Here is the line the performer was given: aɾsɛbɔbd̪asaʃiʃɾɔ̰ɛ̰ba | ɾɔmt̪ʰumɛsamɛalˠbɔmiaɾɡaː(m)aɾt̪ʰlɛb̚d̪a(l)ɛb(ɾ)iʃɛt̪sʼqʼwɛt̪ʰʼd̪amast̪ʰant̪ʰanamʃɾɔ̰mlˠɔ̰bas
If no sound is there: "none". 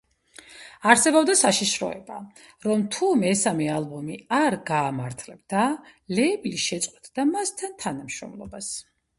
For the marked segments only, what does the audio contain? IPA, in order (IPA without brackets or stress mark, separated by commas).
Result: m, l, l